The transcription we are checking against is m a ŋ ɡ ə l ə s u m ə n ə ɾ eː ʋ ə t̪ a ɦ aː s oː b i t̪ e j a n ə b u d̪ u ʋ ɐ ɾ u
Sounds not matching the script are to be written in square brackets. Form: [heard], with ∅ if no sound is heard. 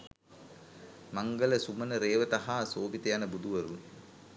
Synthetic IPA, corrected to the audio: m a ŋ ɡ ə l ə s u m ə n ə ɾ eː ʋ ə t̪ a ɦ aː s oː b i t̪ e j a n ə b u d̪ u ʋ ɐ ɾ u